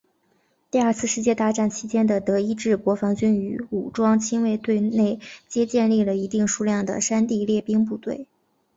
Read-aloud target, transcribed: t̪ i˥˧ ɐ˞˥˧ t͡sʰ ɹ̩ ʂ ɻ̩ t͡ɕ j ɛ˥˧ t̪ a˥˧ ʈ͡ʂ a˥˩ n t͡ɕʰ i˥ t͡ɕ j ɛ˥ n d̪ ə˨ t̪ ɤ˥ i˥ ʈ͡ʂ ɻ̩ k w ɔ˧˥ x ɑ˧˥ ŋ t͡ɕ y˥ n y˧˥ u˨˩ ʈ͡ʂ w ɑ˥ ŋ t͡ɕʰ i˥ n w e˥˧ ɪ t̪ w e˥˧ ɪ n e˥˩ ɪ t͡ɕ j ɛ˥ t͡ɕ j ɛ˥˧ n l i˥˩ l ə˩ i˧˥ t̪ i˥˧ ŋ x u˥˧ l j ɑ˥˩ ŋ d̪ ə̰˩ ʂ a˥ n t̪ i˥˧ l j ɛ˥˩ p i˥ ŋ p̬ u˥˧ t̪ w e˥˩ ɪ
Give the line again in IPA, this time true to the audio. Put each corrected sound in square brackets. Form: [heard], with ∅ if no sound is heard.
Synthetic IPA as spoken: t̪ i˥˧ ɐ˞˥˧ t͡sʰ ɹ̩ ʂ ɻ̩ t͡ɕ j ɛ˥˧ t̪ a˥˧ ʈ͡ʂ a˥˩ n t͡ɕʰ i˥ t͡ɕ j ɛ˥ n d̪ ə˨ t̪ [ɤ˧˥] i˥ ʈ͡ʂ ɻ̩ k w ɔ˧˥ [f] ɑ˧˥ ŋ t͡ɕ y˥ n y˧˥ u˨˩ ʈ͡ʂ w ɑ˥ ŋ t͡ɕʰ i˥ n w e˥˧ ɪ t̪ w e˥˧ ɪ n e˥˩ ɪ t͡ɕ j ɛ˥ t͡ɕ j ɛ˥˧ n l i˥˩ l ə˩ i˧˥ t̪ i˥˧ ŋ [ʂ] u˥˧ l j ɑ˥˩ ŋ d̪ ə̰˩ ʂ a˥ n t̪ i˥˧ l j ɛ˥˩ p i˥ ŋ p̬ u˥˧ t̪ w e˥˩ ɪ